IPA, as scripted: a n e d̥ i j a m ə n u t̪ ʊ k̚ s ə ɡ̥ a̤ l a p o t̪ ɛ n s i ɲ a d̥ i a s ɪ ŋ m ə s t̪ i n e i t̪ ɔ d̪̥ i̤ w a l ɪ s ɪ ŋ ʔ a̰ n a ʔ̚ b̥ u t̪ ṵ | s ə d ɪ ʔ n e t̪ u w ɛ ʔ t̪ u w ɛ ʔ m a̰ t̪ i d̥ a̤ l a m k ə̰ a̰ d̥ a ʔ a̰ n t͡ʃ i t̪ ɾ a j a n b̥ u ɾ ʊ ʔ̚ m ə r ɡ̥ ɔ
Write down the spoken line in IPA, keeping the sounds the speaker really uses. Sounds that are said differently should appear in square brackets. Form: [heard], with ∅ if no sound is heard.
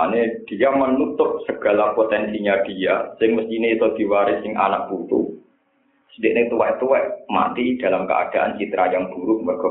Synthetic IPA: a n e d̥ i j a m ə n u t̪ ʊ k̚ s ə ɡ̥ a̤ l a p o t̪ ɛ n s i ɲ a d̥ i a s ɪ ŋ m ə s t̪ i n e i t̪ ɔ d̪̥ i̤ w a [ɾ] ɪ s ɪ ŋ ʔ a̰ n a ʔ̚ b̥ u t̪ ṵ | s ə d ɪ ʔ n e t̪ u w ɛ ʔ t̪ u w ɛ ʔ m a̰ t̪ i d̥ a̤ l a m k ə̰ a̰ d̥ a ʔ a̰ n t͡ʃ i t̪ ɾ a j a [ŋ] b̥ u ɾ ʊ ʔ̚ m ə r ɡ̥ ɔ